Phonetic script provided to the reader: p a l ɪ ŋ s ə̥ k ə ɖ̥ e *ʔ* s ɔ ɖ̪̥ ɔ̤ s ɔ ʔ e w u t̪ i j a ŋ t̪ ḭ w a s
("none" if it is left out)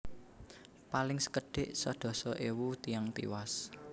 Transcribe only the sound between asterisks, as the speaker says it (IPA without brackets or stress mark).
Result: ʔ